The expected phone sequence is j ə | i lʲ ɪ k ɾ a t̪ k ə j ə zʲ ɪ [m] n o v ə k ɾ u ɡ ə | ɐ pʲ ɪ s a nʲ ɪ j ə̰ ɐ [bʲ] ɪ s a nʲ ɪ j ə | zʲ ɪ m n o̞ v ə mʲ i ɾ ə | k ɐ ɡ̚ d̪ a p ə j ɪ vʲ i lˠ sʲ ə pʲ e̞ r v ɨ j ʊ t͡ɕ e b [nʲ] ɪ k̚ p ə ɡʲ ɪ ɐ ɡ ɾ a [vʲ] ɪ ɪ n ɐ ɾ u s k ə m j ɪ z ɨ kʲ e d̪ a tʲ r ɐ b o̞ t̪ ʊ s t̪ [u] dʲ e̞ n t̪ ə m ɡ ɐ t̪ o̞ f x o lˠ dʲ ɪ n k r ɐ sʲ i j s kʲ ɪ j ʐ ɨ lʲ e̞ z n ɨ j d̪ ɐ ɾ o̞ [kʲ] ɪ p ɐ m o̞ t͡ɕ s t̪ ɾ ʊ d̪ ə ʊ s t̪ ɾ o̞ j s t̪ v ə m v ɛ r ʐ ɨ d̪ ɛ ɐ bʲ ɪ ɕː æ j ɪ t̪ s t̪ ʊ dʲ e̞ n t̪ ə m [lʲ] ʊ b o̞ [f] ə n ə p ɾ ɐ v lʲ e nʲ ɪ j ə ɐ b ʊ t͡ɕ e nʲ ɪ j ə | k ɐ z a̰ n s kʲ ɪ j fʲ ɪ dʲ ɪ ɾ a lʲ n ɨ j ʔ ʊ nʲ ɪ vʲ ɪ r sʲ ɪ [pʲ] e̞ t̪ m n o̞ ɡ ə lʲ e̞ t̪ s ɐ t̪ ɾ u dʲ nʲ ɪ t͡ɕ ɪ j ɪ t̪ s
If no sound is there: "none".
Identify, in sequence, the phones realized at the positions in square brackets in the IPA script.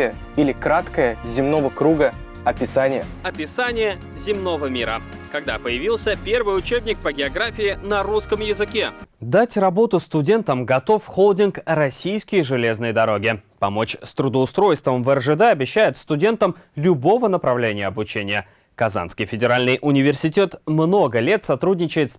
m, pʲ, nʲ, fʲ, ʊ, ɡʲ, lʲ, v, tʲ

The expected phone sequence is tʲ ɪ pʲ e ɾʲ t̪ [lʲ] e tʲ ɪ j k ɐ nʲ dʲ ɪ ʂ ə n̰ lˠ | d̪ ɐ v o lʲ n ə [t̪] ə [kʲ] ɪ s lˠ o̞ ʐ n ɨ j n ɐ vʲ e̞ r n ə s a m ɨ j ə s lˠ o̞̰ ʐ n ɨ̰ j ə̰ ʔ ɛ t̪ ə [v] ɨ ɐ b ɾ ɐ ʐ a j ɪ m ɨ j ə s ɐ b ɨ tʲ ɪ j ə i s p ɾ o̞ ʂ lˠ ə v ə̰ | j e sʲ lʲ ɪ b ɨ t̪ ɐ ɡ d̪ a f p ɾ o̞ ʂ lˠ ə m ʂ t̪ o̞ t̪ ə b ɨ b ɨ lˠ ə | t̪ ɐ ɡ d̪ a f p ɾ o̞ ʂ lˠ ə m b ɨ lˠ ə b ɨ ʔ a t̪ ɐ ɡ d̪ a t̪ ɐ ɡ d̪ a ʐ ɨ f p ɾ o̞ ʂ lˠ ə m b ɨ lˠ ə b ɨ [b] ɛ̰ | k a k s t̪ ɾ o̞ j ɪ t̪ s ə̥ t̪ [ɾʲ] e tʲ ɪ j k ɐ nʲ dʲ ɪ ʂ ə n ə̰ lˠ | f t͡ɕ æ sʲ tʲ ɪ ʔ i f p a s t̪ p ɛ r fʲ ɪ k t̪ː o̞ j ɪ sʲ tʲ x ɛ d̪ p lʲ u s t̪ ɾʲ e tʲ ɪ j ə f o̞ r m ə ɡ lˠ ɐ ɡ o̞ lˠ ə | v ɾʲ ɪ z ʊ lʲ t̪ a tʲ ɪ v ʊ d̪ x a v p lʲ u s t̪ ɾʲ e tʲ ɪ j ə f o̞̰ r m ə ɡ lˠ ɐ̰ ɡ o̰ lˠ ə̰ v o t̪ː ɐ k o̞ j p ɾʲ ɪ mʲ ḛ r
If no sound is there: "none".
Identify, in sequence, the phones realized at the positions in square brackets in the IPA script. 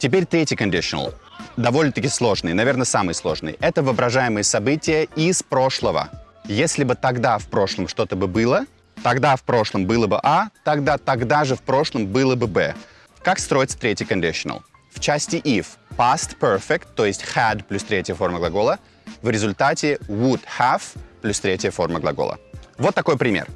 ɾʲ, t̪, kʲ, v, b, ɾʲ

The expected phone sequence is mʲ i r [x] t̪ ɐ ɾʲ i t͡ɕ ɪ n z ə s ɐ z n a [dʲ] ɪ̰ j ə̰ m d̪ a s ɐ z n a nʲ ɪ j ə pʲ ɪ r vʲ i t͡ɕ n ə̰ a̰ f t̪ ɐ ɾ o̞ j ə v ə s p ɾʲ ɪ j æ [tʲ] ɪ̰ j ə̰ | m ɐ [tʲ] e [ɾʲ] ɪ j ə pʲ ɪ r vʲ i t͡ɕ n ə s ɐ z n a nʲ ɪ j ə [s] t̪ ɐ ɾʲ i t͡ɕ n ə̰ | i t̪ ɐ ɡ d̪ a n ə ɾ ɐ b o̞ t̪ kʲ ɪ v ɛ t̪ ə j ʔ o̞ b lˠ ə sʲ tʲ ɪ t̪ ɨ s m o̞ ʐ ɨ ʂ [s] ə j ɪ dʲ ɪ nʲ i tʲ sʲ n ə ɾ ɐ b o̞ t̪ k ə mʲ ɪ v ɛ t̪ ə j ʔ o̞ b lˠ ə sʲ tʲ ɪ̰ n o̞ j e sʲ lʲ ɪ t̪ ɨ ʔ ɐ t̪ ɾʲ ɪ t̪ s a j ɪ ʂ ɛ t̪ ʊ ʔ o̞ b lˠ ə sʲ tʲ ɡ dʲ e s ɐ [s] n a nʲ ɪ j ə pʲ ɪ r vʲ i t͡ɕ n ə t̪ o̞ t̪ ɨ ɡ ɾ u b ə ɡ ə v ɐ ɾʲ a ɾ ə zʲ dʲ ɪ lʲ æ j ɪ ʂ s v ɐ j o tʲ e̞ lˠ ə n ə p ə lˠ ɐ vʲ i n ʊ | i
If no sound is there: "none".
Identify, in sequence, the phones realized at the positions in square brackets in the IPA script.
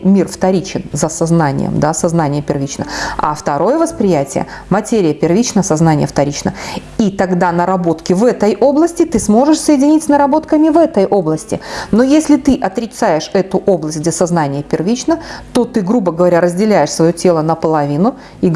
f, nʲ, tʲ, tʲ, ɾʲ, f, s, z

